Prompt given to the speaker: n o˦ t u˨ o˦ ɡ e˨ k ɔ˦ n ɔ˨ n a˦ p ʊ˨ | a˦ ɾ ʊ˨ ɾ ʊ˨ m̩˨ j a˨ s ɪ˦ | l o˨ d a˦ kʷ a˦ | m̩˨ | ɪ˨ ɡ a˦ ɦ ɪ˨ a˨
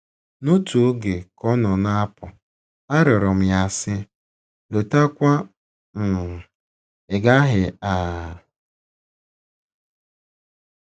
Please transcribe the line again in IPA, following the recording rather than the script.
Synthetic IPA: n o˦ t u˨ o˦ ɡ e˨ k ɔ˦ n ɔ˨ n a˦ p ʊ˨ | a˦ ɾ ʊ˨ ɾ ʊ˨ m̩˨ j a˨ s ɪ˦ | l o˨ t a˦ kʷ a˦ | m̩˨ | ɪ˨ ɡ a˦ ɦ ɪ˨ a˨